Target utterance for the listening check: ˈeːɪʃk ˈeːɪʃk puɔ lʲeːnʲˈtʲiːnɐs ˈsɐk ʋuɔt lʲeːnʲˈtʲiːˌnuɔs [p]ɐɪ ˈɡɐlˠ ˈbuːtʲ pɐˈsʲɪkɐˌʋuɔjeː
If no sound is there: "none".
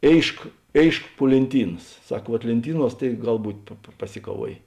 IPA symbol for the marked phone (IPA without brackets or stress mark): t